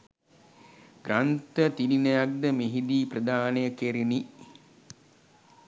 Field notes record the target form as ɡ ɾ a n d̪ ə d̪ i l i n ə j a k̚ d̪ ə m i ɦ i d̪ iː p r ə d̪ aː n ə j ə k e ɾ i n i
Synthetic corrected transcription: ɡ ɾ a n t̪ ə t̪ i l i n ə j a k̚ d̪ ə m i ɦ i d̪ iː p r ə d̪ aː n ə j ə k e ɾ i n i